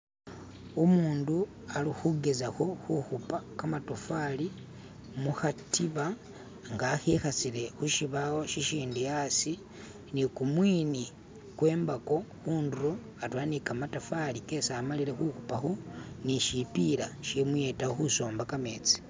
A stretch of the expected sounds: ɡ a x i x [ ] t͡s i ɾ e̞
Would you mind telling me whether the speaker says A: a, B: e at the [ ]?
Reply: A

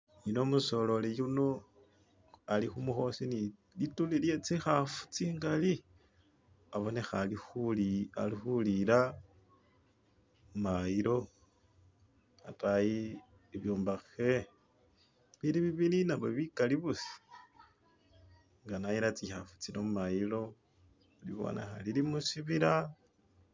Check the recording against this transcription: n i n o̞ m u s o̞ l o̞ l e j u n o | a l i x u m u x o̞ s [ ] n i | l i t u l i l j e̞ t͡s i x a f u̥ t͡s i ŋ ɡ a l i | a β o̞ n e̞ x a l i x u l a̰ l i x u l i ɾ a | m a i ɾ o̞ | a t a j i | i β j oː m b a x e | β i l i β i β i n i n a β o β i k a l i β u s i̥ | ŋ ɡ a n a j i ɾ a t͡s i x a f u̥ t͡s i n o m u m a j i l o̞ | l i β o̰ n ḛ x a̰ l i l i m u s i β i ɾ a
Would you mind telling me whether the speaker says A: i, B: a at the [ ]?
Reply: A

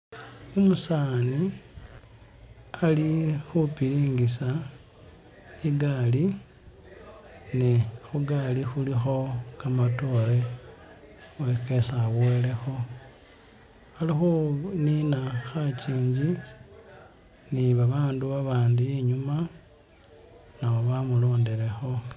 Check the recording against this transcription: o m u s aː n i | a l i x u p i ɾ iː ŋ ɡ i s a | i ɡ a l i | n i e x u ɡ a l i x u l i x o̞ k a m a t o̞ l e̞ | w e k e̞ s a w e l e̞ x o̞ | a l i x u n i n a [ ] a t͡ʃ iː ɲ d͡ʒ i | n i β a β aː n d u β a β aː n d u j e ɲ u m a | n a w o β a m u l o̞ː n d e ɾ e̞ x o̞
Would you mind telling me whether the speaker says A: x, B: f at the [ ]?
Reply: A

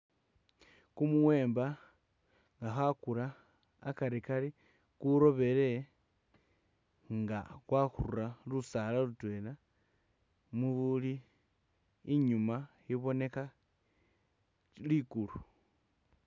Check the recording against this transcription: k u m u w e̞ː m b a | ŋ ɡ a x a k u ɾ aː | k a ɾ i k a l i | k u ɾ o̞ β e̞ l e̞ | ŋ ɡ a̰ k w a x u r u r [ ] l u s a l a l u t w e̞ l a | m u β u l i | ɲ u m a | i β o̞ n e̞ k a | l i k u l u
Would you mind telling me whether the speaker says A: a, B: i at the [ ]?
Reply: A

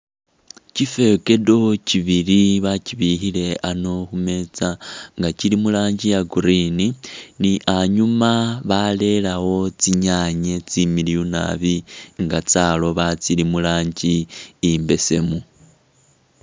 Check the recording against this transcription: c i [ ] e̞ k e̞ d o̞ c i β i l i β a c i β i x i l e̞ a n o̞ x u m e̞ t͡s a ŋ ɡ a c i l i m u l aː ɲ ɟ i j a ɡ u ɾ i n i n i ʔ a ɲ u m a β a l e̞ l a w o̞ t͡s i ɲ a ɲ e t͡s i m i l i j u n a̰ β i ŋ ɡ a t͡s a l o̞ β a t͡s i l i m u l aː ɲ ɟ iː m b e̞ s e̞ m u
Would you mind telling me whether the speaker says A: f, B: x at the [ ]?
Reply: A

